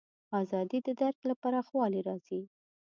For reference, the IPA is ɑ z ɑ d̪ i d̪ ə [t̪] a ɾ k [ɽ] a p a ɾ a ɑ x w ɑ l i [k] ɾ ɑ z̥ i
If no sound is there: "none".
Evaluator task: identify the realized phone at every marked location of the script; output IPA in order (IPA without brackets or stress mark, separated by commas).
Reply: d̪, l, none